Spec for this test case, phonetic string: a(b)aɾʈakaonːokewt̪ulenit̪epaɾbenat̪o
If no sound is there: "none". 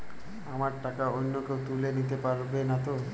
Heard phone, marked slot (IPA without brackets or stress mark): m